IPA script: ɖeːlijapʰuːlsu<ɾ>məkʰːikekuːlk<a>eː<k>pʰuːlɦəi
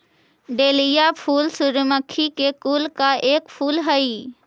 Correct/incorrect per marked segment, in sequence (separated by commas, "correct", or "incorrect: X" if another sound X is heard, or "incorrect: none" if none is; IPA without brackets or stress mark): correct, correct, correct